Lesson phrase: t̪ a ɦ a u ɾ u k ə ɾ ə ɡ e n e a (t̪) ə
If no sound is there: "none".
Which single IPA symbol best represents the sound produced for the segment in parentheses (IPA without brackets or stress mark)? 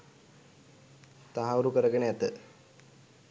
t̪